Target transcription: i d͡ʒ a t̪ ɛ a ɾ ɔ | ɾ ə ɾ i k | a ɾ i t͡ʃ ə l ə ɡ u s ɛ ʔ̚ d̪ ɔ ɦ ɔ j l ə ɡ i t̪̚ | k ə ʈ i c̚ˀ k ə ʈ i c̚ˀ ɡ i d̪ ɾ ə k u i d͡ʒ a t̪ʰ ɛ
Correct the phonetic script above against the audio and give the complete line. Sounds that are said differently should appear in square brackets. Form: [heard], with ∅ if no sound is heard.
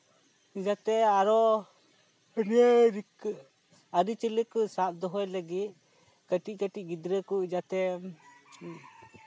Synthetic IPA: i d͡ʒ a t̪ ɛ a ɾ ɔ | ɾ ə ɾ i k | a ɾ i t͡ʃ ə l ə [k] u s [a] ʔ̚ d̪ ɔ ɦ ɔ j l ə ɡ i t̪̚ | k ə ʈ i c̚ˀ k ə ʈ i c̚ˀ ɡ i d̪ ɾ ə k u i d͡ʒ a [t̪] ɛ